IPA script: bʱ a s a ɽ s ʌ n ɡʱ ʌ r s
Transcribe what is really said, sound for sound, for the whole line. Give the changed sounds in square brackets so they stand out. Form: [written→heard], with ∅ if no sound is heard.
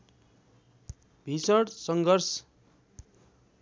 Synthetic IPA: bʱ [a→i] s [a→ʌ] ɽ s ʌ [n→ŋ] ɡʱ ʌ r s

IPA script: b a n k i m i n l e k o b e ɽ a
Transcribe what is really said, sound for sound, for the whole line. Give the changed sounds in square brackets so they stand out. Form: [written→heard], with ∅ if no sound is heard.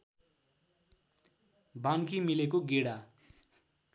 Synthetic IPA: b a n k i m i [n→∅] l e k o [b→ɡ] e ɽ a

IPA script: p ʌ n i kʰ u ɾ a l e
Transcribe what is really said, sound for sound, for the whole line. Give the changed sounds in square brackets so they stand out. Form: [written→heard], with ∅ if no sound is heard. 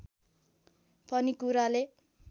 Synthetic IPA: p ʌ n i [kʰ→k] u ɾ a l e

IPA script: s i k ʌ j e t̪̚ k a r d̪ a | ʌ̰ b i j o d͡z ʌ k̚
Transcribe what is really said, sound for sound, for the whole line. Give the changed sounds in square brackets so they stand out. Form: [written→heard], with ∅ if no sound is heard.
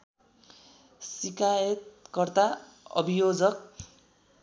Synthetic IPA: s i k [ʌ→a] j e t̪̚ k [a→ʌ] r [d̪→t̪] a | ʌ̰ b i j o d͡z ʌ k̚

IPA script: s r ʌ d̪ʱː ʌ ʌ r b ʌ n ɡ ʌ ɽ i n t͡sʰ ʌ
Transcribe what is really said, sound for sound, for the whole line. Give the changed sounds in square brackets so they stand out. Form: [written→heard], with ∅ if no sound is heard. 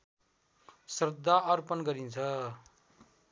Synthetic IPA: s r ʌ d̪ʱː [ʌ→a] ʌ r [b→p] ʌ n ɡ ʌ [ɽ→ɾ] i n t͡sʰ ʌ

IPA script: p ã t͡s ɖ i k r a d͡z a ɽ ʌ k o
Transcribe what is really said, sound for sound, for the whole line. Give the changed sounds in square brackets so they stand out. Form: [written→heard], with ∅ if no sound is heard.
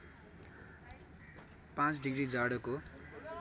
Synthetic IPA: p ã t͡s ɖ i [k→ɡ] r [a→i] d͡z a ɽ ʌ k o

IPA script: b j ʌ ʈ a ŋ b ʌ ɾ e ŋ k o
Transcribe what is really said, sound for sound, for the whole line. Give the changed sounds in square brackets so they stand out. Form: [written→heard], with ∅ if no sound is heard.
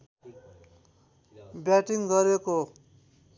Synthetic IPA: b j [ʌ→a] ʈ [a→i] ŋ [b→ɡ] ʌ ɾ e [ŋ→∅] k o

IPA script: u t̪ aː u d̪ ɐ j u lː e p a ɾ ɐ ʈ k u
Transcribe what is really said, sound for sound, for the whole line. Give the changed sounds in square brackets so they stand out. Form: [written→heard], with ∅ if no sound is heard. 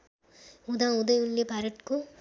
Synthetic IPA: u [t̪→d̪] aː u d̪ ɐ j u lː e p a ɾ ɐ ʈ k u

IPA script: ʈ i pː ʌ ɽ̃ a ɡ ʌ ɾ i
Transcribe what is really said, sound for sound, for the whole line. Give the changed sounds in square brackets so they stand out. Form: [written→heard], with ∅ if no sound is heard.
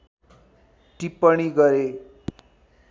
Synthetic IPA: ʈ i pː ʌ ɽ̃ [a→i] ɡ ʌ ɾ [i→e]

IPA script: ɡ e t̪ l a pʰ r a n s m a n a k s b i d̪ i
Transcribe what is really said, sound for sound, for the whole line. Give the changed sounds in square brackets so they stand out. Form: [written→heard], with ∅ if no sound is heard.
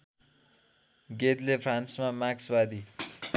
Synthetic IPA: ɡ e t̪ l [a→e] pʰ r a n s m a [n→m] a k s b [i→a] d̪ i

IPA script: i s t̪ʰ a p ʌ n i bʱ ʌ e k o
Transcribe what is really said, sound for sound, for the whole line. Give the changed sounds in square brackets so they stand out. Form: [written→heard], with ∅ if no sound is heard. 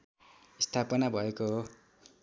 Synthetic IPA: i s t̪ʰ a p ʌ n [i→a] bʱ ʌ e k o

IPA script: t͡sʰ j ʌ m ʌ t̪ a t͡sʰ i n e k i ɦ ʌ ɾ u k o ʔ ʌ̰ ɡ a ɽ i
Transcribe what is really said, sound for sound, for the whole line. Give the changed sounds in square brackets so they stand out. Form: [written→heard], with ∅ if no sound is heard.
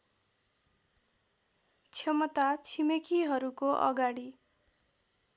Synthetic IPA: t͡sʰ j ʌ m ʌ t̪ a t͡sʰ i [n→m] e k i ɦ ʌ ɾ u k o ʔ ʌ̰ ɡ a ɽ i

